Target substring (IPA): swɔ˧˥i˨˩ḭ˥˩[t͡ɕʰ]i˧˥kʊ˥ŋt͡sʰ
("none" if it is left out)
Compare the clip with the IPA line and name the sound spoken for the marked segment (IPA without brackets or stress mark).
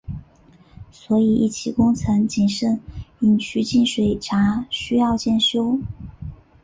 t͡ɕʰ